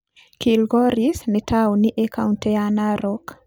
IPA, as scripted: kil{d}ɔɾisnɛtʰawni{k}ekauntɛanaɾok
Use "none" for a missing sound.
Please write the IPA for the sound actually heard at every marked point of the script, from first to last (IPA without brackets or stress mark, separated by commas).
ɡ, ʔ